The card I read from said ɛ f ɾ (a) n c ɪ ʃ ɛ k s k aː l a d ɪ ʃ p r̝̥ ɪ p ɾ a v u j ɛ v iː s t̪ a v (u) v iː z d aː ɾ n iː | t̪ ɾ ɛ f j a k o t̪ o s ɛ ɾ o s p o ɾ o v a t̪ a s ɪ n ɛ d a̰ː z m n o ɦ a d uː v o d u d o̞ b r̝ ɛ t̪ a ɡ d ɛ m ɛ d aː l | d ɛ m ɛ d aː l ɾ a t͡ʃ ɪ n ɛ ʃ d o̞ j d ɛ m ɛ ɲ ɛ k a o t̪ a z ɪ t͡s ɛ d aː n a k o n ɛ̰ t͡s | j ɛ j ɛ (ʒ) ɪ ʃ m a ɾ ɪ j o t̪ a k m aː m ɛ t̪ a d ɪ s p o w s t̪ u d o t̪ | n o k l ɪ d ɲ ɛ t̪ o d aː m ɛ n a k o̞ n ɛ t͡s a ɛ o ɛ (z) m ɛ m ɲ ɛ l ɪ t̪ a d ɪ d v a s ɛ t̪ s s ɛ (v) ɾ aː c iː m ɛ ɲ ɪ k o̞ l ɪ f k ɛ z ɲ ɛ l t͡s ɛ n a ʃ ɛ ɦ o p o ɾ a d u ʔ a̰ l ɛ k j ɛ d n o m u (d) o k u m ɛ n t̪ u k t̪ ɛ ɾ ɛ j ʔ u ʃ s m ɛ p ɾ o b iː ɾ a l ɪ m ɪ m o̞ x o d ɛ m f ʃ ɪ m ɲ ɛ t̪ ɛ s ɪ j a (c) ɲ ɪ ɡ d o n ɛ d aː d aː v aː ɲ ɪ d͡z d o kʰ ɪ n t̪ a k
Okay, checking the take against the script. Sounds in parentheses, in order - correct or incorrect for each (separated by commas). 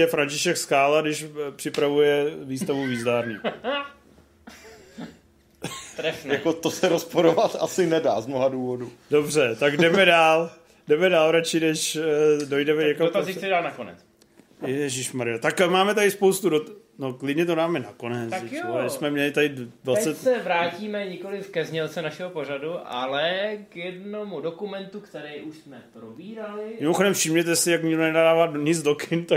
correct, correct, correct, incorrect, correct, correct, incorrect